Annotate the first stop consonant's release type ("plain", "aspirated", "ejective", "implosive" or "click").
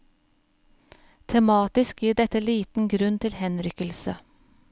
aspirated